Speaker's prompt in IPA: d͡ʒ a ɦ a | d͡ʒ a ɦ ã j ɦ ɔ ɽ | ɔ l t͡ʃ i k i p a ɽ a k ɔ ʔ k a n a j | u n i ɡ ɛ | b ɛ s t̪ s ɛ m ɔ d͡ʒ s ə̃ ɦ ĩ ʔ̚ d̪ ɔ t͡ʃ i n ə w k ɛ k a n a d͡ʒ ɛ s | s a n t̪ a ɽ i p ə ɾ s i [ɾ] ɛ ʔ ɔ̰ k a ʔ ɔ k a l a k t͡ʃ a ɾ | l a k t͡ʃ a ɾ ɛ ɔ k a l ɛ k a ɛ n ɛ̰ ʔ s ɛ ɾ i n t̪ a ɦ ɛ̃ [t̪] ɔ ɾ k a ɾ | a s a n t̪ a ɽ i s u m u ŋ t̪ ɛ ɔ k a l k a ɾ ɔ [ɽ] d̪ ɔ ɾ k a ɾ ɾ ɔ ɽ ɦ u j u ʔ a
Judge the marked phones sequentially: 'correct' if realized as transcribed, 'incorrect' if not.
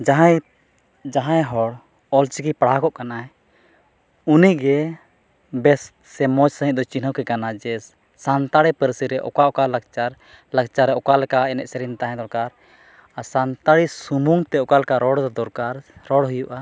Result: correct, incorrect, correct

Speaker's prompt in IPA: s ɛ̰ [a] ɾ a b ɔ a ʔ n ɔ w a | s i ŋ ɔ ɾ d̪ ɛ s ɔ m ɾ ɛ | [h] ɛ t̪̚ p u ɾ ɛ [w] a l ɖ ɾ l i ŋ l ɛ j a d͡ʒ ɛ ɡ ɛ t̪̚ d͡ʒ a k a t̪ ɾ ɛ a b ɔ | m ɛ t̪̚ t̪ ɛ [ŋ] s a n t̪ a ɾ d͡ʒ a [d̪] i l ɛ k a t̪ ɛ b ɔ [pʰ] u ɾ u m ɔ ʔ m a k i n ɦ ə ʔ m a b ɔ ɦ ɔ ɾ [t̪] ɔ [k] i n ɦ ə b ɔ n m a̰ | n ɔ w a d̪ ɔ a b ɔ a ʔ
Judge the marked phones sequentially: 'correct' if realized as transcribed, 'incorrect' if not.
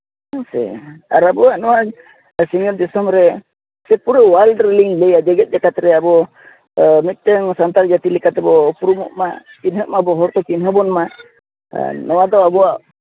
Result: correct, incorrect, correct, correct, incorrect, incorrect, correct, correct

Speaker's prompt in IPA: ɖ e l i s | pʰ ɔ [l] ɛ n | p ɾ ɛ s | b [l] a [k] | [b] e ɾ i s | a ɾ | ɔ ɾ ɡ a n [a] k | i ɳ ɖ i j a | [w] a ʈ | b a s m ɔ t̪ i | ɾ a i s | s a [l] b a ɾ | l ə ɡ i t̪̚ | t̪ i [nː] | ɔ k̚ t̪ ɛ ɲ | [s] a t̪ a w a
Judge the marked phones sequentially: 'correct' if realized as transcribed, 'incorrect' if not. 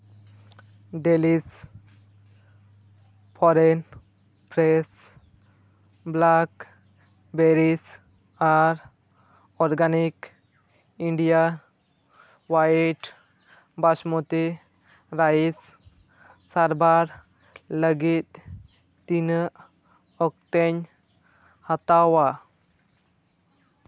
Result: incorrect, correct, correct, correct, incorrect, correct, incorrect, incorrect, incorrect

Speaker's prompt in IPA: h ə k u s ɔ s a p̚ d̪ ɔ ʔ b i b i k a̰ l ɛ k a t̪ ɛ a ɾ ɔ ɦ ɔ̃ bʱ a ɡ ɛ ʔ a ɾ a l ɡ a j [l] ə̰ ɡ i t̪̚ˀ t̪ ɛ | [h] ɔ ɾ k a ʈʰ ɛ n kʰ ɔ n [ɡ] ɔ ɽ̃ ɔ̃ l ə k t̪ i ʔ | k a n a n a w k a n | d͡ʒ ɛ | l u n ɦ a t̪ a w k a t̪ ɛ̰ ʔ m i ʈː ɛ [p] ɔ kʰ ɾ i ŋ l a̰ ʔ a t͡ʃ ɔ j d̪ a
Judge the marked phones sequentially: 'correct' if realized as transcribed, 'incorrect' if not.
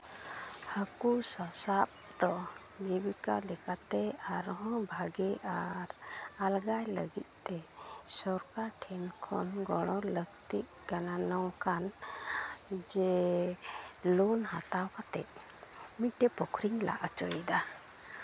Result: correct, incorrect, correct, correct

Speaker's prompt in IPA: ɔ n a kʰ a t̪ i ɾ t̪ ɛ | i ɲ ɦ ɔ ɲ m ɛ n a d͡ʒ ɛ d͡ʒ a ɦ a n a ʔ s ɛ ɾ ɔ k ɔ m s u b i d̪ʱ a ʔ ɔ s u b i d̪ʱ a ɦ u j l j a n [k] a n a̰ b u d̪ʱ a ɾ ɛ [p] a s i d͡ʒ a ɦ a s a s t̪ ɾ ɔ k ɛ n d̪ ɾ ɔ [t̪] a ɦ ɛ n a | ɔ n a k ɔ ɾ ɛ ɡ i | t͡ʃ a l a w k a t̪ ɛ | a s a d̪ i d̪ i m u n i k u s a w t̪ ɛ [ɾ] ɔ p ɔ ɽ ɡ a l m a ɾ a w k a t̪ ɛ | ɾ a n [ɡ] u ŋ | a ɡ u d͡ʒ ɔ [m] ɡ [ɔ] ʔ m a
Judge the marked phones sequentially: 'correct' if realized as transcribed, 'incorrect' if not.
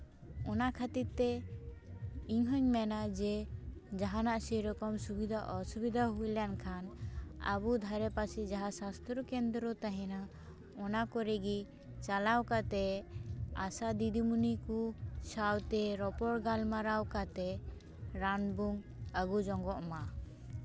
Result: incorrect, correct, correct, correct, incorrect, incorrect, correct

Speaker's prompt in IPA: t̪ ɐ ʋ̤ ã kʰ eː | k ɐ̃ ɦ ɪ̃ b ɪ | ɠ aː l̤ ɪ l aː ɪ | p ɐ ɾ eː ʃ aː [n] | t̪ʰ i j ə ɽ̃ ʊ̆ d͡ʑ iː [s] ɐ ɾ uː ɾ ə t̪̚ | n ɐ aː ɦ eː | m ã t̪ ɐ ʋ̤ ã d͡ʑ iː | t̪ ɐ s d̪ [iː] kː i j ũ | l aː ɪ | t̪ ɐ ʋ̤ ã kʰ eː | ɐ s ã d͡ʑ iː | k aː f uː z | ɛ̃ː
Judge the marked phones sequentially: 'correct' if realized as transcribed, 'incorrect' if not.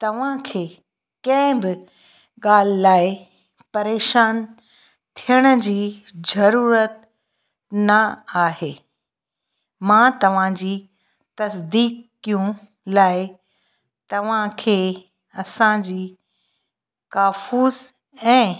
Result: correct, incorrect, correct

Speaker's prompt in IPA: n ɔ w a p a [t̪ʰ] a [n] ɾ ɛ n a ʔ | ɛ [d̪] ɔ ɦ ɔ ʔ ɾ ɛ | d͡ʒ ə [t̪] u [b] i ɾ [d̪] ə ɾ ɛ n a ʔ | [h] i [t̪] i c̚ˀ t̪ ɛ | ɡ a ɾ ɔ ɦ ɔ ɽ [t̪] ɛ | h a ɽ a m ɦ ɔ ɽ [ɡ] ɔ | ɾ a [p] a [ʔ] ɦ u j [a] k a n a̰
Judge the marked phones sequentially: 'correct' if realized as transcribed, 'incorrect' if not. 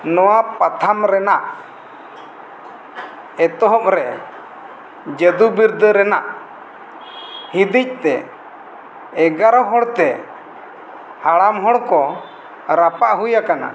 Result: correct, incorrect, incorrect, incorrect, correct, correct, correct, incorrect, correct, incorrect, correct, correct, correct

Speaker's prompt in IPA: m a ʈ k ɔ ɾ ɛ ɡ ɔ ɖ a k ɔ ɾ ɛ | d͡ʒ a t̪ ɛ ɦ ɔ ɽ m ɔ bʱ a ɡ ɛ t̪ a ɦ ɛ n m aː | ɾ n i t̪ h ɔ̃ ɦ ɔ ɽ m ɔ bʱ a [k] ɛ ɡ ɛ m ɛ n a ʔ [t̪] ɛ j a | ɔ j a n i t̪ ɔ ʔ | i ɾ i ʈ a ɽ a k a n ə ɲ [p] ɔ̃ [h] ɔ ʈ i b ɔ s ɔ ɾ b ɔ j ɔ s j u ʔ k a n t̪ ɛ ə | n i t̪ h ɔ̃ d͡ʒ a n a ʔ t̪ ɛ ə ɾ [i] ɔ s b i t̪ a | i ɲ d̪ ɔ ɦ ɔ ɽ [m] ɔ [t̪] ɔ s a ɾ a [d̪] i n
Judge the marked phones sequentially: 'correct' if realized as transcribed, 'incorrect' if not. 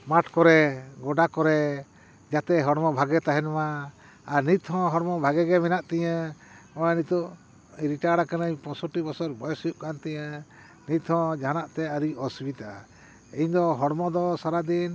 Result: incorrect, correct, correct, incorrect, correct, correct, incorrect, correct

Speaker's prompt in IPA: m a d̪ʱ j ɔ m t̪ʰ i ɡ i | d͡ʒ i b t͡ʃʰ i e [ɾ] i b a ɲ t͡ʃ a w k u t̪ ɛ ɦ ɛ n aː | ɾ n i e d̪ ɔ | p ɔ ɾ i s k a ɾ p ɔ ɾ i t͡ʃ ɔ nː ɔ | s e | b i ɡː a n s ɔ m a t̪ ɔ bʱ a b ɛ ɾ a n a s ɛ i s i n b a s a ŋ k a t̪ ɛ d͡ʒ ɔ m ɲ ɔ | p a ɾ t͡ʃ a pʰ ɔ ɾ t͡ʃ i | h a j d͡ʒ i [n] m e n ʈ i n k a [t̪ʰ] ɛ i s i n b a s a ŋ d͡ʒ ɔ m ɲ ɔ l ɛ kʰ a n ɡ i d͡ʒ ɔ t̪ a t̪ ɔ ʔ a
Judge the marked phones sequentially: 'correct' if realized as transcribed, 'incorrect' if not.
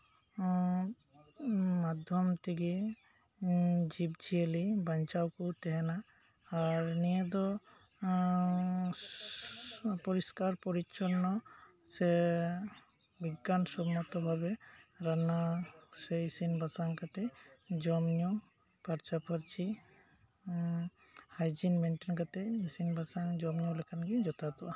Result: incorrect, correct, incorrect

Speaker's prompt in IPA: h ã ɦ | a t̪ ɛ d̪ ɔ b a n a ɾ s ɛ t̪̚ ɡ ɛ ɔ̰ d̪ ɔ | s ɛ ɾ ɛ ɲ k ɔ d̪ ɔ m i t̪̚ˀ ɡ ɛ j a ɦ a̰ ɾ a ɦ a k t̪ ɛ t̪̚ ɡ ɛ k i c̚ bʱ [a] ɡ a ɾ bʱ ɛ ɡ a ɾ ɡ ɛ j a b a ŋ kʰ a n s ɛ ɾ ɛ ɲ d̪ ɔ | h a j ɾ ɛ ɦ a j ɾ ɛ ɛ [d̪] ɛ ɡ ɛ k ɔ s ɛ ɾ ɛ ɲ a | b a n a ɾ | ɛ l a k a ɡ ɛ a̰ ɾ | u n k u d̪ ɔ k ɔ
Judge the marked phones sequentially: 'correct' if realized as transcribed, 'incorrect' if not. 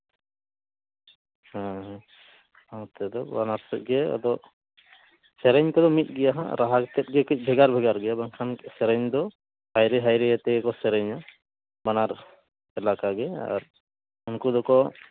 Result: incorrect, incorrect

